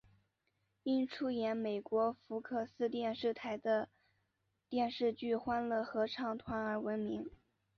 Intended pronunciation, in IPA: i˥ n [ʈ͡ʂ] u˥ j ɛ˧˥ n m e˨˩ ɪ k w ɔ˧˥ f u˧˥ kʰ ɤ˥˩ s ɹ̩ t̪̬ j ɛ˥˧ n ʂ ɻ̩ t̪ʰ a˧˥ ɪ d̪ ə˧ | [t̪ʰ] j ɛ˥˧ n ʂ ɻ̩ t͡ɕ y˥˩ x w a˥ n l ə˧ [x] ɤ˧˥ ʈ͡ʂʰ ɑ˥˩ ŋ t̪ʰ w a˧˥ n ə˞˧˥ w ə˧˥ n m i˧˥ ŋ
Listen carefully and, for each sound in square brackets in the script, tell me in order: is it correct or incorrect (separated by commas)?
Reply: incorrect, incorrect, correct